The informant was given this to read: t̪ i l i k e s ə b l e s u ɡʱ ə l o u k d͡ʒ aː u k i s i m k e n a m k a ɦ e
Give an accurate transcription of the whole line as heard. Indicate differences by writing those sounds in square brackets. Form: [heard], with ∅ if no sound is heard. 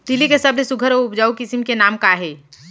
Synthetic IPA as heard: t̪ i l i k e s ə b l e s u ɡʱ ə [ɾ] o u [p] d͡ʒ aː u k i s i m k e n a m k a ɦ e